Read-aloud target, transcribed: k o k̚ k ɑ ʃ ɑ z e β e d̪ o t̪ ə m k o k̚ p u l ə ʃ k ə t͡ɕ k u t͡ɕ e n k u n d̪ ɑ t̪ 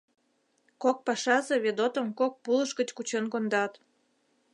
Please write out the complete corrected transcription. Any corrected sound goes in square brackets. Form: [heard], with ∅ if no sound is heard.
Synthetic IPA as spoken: k o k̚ [p] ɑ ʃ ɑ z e β e d̪ o t̪ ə m k o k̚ p u l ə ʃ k ə t͡ɕ k u t͡ɕ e n k [o] n d̪ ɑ t̪

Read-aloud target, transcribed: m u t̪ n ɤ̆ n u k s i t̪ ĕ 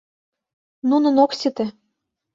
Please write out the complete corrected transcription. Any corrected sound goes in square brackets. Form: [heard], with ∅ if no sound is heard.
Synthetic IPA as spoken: [n] u [∅] n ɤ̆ n [o] k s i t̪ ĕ

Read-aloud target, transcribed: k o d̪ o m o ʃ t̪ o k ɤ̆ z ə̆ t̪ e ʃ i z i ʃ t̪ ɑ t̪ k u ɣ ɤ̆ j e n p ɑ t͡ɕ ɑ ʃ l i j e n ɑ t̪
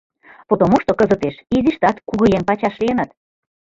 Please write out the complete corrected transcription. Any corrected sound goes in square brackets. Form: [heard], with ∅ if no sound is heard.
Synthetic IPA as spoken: [p] o [t̪] o m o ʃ t̪ o k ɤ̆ z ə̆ t̪ e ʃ i z i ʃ t̪ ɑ t̪ k u ɣ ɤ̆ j e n p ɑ t͡ɕ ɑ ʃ l i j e n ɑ t̪

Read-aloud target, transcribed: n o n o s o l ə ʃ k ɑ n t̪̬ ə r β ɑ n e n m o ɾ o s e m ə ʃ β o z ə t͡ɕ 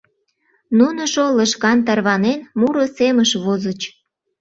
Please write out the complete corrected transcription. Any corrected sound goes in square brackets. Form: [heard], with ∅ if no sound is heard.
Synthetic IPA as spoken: n [u] n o [ʃ] o l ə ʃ k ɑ n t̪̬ [ɑ] r β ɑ n e n m [u] ɾ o s e m ə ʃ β o z ə t͡ɕ

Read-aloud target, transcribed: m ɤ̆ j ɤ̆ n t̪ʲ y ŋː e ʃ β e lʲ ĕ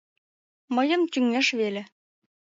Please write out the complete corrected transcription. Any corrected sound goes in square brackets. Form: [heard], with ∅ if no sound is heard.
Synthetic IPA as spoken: m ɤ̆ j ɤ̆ [m] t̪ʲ y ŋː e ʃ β e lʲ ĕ

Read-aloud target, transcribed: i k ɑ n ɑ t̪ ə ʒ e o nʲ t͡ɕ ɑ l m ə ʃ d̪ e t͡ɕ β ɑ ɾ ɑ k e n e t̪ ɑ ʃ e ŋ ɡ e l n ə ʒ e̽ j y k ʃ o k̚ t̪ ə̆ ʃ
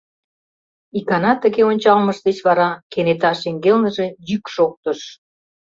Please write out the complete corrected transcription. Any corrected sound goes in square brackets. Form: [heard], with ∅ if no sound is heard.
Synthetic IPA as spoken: i k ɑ n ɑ t̪ ə [ɣ] e o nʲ t͡ɕ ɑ l m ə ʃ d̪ e t͡ɕ β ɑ ɾ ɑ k e n e t̪ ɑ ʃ e ŋ ɡ e l n ə ʒ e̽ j y k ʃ o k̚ t̪ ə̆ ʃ

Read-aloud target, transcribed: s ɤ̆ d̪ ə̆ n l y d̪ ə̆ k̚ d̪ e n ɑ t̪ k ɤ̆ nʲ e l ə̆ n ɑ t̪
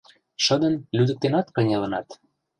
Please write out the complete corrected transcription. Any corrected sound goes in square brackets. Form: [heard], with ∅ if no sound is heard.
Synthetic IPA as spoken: [ʃ] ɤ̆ d̪ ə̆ n l y d̪ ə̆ k̚ [t̪] e n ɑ t̪ k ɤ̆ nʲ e l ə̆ n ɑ t̪

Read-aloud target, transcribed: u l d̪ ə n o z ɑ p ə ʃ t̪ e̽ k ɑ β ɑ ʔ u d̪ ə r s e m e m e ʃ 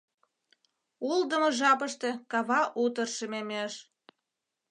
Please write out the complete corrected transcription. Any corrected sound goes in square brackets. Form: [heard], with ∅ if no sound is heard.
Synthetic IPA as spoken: u l d̪ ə [m] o [ʒ] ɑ p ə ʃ t̪ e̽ k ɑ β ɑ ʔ u [t̪] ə r [ʃ] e m e m e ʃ

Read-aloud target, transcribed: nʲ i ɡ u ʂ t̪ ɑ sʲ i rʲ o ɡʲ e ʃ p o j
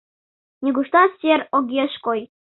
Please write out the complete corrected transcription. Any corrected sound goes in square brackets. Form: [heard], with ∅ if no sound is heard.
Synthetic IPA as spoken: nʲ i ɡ u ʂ t̪ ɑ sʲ [e] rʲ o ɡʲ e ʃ [k] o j

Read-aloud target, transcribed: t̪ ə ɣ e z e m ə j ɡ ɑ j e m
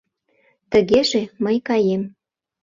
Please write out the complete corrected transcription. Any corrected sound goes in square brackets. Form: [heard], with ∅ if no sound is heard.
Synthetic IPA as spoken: t̪ ə ɣ e [ʒ] e m ə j [k] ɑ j e m

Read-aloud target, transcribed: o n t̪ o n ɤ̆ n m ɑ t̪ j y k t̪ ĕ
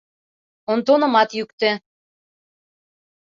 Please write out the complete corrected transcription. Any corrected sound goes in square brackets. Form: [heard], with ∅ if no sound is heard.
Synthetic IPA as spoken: o n t̪ o n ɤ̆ [∅] m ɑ t̪ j y k t̪ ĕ

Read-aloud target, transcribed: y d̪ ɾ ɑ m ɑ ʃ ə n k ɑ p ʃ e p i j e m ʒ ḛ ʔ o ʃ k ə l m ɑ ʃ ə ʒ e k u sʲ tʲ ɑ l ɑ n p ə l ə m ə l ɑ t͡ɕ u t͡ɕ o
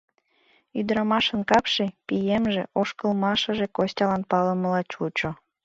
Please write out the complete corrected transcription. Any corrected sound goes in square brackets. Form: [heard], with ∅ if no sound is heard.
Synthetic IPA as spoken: y d̪ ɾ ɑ m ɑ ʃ ə n k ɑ p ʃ e p i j e m ʒ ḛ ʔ o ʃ k ə l m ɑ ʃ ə ʒ e k [o] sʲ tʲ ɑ l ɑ n p [ɑ] l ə m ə l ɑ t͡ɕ u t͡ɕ o

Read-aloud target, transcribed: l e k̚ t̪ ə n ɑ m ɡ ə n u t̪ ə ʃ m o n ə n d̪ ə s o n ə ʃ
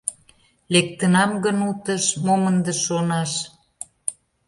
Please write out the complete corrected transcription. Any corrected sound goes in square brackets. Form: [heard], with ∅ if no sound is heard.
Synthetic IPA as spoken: l e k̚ t̪ ə n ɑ m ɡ ə n u t̪ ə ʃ m o [m] ə n d̪ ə [ʃ] o n [ɑ] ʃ

